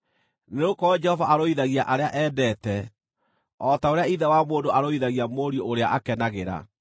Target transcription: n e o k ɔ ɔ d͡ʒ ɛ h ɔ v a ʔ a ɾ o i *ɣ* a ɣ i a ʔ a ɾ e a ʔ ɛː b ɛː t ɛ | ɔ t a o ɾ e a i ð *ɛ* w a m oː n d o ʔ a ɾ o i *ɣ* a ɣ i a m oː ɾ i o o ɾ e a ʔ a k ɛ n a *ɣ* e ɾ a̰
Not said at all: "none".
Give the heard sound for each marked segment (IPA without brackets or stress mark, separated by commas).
ð, ɛ, ð, ɣ